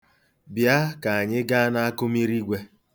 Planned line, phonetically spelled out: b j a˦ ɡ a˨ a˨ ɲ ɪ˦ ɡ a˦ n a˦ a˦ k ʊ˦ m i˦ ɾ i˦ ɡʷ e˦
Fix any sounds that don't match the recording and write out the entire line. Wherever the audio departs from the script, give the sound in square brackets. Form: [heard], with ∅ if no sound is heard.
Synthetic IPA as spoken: b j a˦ [k] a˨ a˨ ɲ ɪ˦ ɡ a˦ n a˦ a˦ k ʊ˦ m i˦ ɾ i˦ ɡʷ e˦